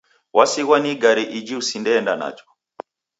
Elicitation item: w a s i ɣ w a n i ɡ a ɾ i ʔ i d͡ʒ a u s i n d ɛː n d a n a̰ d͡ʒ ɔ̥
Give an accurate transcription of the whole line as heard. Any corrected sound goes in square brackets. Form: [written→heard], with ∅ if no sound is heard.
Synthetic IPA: w a s i ɣ w a n i ɡ a ɾ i ʔ i d͡ʒ [a→i] u s i n d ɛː n d a n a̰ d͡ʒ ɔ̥